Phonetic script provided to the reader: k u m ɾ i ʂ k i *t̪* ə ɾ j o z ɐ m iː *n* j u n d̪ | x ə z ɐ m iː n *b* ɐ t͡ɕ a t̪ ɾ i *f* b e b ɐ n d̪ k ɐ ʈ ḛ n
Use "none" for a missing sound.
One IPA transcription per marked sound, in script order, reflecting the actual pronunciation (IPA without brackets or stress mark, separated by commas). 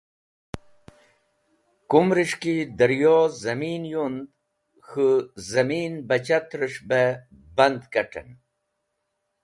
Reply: d̪, n, b, ʂ